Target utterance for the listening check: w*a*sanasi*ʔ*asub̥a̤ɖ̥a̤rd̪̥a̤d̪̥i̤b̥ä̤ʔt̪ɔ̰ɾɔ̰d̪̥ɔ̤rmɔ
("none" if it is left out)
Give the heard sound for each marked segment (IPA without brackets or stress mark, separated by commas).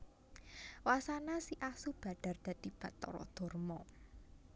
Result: a, ʔ